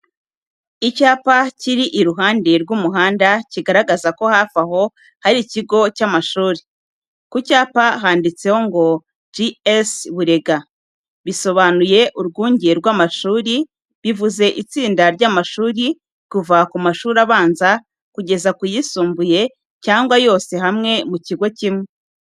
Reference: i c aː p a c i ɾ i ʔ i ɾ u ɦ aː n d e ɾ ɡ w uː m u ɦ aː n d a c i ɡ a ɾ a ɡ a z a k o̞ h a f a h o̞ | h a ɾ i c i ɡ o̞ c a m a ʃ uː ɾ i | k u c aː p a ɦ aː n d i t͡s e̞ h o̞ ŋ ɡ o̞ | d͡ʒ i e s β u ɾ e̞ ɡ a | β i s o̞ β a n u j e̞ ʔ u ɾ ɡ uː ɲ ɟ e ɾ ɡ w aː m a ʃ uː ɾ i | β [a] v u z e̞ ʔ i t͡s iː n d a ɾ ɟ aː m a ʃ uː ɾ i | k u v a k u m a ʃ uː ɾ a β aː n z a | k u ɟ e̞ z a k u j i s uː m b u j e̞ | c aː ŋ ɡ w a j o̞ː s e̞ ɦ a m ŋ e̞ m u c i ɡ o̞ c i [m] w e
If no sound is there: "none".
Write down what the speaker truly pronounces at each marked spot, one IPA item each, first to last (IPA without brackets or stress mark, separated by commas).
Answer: i, m